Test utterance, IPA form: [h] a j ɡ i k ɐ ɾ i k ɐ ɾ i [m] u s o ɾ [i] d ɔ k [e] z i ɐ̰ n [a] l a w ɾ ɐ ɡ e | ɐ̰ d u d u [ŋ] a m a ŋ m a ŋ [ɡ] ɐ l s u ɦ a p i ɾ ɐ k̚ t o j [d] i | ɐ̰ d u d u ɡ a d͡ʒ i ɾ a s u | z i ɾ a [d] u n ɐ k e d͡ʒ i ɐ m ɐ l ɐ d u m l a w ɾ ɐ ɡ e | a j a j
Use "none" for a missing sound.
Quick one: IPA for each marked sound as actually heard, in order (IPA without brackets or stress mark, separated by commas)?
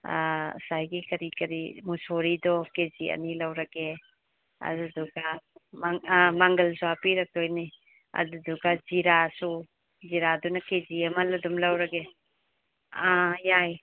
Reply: s, m, i, e, i, ɡ, ɡ, n, d